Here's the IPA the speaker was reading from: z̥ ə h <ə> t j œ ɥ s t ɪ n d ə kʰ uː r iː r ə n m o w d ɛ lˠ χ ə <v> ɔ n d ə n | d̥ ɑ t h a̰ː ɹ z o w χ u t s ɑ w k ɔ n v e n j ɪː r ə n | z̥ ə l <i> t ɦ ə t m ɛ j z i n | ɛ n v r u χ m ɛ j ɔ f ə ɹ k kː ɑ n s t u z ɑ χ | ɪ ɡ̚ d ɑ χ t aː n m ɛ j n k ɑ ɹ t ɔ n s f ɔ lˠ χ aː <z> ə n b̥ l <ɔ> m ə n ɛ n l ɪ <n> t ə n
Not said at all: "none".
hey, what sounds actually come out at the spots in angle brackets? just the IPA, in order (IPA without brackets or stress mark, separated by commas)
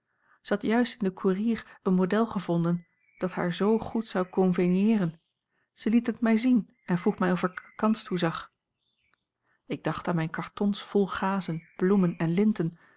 ɑ, v, i, z, u, n